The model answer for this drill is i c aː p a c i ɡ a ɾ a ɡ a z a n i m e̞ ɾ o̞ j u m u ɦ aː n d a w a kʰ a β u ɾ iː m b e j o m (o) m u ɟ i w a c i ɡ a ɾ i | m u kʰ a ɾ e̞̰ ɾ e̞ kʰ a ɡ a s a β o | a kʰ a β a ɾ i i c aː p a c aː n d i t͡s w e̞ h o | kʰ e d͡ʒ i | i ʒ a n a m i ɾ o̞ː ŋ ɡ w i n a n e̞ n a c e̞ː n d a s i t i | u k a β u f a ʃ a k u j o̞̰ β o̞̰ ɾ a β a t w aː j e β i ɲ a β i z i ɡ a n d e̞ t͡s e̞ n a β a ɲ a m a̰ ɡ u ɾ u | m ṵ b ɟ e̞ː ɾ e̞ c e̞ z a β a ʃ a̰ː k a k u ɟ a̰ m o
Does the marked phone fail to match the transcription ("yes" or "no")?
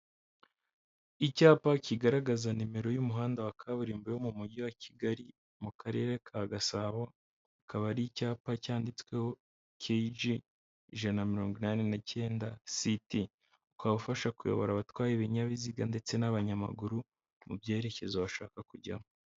yes